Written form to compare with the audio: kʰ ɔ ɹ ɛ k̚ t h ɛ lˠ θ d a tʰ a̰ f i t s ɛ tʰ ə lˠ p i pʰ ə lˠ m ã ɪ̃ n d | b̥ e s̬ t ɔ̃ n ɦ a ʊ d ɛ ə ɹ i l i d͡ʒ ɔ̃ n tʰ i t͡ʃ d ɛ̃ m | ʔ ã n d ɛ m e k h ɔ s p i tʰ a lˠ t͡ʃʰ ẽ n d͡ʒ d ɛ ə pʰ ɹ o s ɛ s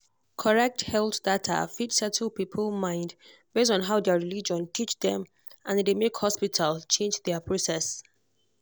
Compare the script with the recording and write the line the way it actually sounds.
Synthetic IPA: kʰ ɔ ɹ ɛ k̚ t h ɛ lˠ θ d a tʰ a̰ f i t s ɛ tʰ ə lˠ p i pʰ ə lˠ m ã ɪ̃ n d | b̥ e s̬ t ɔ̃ n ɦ a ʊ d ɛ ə ɹ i l i d͡ʒ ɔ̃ n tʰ i t͡ʃ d ɛ̃ m | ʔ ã n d e m e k h ɔ s p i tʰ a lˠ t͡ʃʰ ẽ n d͡ʒ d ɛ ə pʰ ɹ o s ɛ s